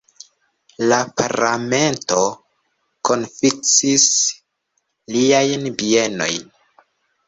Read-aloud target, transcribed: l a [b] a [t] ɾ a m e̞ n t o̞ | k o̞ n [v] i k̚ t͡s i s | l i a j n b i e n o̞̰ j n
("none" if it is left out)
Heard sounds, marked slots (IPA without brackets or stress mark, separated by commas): p, none, f